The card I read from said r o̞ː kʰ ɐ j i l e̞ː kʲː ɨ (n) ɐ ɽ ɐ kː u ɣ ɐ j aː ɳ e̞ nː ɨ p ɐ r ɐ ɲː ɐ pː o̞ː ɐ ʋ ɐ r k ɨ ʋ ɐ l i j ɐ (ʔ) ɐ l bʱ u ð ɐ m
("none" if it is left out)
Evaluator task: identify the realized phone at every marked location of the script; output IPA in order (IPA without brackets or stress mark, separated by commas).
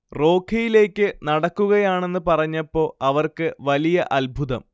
n, ʔ